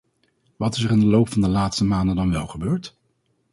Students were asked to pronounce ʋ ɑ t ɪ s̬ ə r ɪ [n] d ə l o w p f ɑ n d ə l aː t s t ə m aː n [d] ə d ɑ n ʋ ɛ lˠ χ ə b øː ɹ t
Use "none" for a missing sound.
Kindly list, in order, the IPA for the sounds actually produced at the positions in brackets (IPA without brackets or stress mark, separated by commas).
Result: n, d